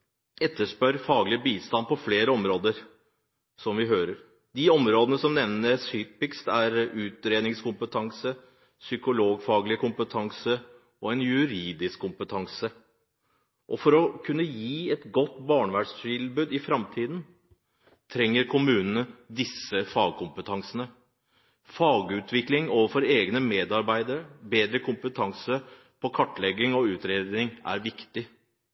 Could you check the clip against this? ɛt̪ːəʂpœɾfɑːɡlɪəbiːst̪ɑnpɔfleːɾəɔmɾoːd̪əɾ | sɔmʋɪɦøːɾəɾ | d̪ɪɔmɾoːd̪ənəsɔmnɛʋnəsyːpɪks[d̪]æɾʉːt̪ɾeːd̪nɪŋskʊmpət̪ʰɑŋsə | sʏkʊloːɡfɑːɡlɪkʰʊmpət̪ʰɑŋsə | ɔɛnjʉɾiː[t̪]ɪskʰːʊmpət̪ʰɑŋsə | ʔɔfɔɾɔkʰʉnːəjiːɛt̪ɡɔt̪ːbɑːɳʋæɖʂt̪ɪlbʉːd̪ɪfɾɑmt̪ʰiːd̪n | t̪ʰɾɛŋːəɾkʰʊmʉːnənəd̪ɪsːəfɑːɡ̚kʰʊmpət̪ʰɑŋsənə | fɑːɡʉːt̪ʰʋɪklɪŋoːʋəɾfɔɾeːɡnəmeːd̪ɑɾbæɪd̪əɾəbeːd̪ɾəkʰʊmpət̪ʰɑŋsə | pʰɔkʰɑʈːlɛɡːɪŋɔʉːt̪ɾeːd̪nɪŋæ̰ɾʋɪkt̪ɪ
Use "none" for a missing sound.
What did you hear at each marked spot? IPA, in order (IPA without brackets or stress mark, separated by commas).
t̪, d̪